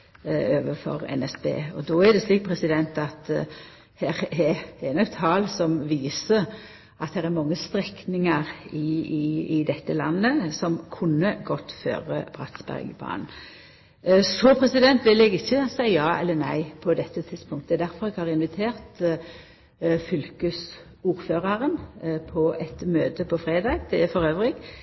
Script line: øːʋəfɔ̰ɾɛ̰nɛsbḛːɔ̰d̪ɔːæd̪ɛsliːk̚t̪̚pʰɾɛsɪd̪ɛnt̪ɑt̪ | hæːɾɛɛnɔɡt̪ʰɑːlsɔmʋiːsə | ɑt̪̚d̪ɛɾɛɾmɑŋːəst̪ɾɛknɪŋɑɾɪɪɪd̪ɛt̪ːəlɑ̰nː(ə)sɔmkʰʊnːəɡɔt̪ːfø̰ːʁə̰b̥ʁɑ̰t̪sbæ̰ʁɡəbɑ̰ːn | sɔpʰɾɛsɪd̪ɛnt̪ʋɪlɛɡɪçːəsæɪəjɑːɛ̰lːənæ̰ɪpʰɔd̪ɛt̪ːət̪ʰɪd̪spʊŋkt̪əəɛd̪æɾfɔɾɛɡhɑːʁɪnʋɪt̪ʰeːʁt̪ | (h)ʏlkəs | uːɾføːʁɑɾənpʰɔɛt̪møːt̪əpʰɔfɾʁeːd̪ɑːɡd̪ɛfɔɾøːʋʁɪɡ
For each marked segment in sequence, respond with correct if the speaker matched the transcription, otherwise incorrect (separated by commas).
correct, incorrect